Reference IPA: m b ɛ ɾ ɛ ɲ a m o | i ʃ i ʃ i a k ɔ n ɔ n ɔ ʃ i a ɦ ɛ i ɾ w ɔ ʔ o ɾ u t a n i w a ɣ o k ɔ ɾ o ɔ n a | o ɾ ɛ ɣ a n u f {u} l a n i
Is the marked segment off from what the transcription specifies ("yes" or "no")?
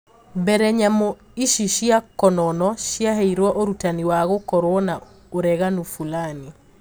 no